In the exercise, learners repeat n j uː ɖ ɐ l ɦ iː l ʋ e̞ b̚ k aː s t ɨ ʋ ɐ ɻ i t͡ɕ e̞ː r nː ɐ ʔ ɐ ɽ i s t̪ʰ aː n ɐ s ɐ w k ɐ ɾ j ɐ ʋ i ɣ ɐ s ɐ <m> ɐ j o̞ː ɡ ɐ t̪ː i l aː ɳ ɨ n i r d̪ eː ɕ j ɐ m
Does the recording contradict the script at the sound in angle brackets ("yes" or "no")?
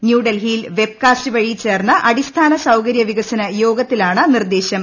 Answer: yes